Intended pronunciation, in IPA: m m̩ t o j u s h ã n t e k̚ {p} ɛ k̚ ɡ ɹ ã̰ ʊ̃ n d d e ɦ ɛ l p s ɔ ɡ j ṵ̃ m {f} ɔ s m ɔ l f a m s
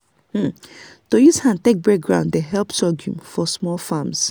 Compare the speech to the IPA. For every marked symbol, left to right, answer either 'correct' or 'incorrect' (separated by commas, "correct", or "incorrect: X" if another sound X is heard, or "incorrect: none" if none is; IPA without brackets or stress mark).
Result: incorrect: b, correct